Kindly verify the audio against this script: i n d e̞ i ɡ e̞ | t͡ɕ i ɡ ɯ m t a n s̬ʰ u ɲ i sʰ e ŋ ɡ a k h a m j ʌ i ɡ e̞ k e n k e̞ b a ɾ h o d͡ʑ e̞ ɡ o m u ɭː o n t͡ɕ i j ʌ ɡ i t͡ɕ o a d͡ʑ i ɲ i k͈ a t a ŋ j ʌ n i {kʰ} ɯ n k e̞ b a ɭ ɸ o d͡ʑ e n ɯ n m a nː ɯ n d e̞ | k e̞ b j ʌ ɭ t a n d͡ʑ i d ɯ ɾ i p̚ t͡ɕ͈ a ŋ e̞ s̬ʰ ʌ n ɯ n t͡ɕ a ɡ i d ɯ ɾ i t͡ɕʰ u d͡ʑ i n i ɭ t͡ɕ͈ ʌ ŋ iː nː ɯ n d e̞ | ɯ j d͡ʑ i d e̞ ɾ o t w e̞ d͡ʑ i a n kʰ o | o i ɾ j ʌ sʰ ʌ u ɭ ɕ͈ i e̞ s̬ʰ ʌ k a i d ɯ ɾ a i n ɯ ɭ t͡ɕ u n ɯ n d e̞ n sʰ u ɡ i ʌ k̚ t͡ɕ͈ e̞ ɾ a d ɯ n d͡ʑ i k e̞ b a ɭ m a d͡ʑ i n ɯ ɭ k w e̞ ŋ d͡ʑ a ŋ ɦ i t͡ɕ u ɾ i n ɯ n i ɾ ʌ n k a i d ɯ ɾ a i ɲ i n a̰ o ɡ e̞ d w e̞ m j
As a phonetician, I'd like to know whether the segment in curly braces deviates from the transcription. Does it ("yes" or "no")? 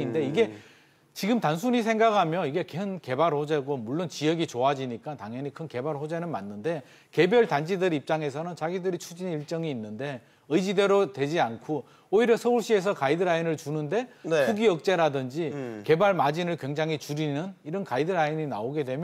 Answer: no